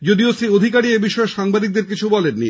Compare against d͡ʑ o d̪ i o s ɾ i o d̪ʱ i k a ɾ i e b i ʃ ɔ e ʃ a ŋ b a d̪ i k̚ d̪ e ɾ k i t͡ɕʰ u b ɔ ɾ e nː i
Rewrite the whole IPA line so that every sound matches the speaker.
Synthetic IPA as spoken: d͡ʑ o d̪ i o s ɾ i o d̪ʱ i k a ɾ i e b i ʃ ɔ e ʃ a ŋ b a d̪ i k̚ d̪ e ɾ k i t͡ɕʰ u b ɔ l e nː i

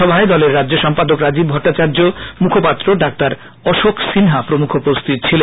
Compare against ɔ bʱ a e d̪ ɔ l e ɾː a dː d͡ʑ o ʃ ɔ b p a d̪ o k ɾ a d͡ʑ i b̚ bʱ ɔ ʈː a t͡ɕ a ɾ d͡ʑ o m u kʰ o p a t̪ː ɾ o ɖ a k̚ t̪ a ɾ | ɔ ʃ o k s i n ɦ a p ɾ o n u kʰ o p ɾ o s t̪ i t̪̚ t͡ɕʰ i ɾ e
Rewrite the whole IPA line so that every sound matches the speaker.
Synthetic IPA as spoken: ɔ bʱ a e d̪ ɔ l e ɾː a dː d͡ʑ o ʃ ɔ m p a d̪ o k ɾ a d͡ʑ i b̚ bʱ ɔ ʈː a t͡ɕ a ɾ d͡ʑ o m u kʰ o p a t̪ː ɾ o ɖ a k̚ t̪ a ɾ | ɔ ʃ o k s i n ɦ a p ɾ o m u kʰ o p ɾ o s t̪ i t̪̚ t͡ɕʰ i l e

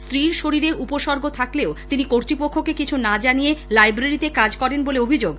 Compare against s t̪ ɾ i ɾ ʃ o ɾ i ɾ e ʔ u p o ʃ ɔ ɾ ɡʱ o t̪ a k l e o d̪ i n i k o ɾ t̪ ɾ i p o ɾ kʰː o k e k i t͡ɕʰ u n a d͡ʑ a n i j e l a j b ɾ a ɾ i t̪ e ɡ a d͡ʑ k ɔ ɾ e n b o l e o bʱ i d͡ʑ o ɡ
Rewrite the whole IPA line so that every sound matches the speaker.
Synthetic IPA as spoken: s t̪ ɾ i ɾ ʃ o ɾ i ɾ e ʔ u p o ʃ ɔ ɾ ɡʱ o t̪ʰ a k l e o t̪ i n i k o ɾ t̪ ɾ i p o kʰː o k e k i t͡ɕʰ u n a d͡ʑ a n i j e l a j b ɾ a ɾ i t̪ e k a d͡ʑ k ɔ ɾ e n b o l e o bʱ i d͡ʑ o ɡ

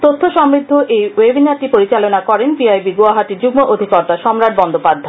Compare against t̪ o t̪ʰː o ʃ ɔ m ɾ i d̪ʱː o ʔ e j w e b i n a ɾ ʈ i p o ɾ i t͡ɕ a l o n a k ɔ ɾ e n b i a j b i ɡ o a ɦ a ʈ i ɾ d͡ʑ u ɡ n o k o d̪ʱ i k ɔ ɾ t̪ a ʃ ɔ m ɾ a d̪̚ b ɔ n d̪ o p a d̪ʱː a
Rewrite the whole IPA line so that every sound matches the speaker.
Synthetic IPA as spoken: t̪ o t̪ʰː o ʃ ɔ m ɾ i d̪ʱː o ʔ e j w e b i n a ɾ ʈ i p o ɾ i t͡ɕ a l o n a k ɔ ɾ e n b i a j b i ɡ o a ɦ a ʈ i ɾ d͡ʑ u ɡ m o ʔ o d̪ʱ i k ɔ ɾ t̪ a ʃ ɔ m ɾ a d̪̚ b ɔ n d̪ o p a d̪ʱː a

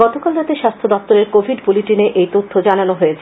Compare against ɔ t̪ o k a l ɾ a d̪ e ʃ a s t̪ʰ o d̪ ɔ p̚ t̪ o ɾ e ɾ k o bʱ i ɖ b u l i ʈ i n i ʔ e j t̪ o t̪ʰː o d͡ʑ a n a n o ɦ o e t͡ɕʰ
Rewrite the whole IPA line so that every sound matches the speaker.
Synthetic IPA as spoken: ɔ t̪ o k a l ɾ a t̪ e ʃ a s t̪ʰ o d̪ ɔ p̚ t̪ o ɾ e ɾ k o bʱ i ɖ b u l i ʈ i n e ʔ e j t̪ o t̪ʰː o d͡ʑ a n a n o ɦ o e t͡ɕʰ

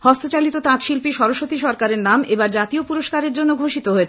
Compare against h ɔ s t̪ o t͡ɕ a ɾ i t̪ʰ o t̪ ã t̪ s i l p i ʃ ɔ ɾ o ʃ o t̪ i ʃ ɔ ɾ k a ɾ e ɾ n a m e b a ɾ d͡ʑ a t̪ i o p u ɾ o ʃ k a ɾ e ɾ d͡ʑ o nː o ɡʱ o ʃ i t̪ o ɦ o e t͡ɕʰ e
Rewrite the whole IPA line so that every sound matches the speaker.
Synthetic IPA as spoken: h ɔ s t̪ o t͡ɕ a l i t̪ o t̪ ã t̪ ʃ i l p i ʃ ɔ ɾ o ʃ o t̪ i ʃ ɔ ɾ k a ɾ e ɾ n a m e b a ɾ d͡ʑ a t̪ i o p u ɾ o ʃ k a ɾ e ɾ d͡ʑ o nː o ɡʱ o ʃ i t̪ o ɦ o e t͡ɕʰ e

